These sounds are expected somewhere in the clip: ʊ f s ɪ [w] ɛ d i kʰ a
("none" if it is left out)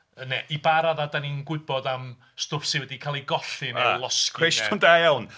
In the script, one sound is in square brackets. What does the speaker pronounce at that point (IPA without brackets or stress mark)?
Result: w